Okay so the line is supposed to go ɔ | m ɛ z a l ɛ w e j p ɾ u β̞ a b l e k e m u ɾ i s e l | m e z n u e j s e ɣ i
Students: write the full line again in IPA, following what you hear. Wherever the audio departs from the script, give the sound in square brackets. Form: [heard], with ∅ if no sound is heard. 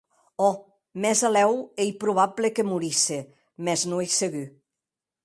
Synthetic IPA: ɔ | m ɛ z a l ɛ w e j p ɾ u β̞ a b l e k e m u ɾ i s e [∅] | m [ɛ] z n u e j s e ɣ [y]